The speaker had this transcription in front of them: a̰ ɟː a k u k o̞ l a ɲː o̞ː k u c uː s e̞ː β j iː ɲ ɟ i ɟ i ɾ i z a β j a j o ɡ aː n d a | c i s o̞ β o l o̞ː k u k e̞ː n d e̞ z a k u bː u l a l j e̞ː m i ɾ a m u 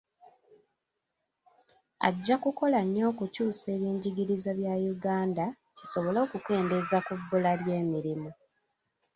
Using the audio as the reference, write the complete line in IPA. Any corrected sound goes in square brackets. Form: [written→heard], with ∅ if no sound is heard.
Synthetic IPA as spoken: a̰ ɟː a k u k o̞ l a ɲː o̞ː k u c uː s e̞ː β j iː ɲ ɟ i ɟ i ɾ i z a β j a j [o→u] ɡ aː n d a | c i s o̞ β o l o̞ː k u k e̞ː n d e̞ z a k u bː u l a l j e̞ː m i ɾ [a→i] m u